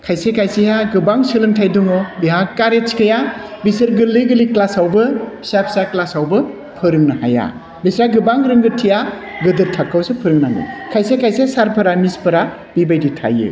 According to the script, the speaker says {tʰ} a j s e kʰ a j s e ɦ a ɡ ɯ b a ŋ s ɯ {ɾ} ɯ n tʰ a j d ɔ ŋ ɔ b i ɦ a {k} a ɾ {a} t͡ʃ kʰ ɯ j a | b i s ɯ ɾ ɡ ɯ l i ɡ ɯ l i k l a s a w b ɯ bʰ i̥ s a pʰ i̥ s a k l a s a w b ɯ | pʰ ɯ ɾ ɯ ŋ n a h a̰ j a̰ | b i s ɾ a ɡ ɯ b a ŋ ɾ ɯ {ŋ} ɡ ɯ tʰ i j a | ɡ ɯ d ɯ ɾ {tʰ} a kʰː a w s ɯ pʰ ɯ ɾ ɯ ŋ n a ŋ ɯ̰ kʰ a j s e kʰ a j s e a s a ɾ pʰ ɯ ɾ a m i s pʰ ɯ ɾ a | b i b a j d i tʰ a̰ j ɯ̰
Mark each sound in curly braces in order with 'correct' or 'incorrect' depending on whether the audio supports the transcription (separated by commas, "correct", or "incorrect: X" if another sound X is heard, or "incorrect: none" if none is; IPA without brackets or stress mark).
incorrect: kʰ, incorrect: l, correct, incorrect: e, correct, correct